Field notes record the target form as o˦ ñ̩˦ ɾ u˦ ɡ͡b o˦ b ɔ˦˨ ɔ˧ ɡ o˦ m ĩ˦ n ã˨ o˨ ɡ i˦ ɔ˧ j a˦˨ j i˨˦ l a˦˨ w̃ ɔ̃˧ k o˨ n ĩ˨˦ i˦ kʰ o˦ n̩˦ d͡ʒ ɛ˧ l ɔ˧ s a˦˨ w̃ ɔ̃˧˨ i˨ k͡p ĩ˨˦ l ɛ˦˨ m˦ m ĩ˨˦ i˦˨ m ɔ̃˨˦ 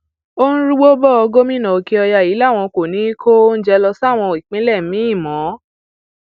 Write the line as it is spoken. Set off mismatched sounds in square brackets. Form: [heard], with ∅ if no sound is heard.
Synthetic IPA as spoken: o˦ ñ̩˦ ɾ u˦ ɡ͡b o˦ b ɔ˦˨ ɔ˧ ɡ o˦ m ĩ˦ n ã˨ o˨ [k] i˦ ɔ˧ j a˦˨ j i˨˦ l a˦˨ w̃ ɔ̃˧ k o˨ n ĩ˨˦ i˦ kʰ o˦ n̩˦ d͡ʒ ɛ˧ l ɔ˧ s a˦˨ w̃ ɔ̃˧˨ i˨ k͡p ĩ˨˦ l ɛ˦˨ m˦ m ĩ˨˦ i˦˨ m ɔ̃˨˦

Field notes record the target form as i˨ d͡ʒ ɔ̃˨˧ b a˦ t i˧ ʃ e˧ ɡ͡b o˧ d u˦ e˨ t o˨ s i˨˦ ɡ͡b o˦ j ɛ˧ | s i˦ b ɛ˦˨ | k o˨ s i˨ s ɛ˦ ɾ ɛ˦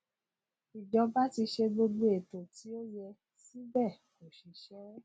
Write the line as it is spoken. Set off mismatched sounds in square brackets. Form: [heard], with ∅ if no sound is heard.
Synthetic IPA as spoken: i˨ d͡ʒ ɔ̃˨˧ b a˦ t i˧ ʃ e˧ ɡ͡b o˧ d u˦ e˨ t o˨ [t] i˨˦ [∅] o˦ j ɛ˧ | s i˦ b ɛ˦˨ | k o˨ [ʃ] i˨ [ʃ] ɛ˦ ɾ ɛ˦

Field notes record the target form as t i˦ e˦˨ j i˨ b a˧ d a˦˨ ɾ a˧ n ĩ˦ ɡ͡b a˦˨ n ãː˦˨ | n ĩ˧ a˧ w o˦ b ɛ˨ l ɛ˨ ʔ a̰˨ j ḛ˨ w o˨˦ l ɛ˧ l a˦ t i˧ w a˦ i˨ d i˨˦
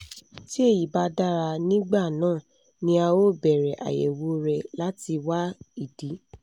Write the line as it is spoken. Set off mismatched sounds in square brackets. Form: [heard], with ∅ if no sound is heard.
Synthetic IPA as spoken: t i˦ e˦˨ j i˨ b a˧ d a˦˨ ɾ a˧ n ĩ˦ ɡ͡b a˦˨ n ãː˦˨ | n ĩ˧ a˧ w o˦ b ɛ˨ [ɾ] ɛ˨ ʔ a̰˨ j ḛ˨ w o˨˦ [ɾ] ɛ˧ l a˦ t i˧ w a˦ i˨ d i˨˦

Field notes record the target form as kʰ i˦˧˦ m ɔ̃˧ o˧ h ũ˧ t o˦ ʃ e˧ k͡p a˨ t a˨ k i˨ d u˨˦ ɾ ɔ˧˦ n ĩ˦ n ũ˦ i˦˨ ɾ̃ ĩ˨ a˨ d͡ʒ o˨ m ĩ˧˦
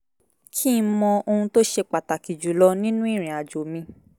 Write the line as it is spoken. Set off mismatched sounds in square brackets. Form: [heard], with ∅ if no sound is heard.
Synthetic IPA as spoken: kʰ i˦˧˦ m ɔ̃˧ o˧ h ũ˧ t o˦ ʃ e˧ k͡p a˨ t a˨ k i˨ [d͡ʒ] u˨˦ [l] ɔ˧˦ n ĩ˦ n ũ˦ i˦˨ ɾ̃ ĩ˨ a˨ d͡ʒ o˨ m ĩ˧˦

